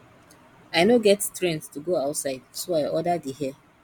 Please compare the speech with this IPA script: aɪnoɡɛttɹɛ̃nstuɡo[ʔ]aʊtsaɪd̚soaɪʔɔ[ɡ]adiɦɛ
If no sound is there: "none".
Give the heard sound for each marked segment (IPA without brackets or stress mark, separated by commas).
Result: none, d